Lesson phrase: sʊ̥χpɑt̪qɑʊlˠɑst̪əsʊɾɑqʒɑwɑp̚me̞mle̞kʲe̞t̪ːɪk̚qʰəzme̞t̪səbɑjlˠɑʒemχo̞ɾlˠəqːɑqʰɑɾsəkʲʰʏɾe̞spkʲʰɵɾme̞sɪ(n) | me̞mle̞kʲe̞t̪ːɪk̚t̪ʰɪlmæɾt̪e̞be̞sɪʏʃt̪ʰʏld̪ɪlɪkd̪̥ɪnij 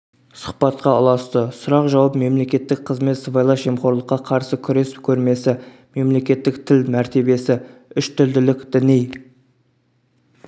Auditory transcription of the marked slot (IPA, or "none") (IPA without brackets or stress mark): none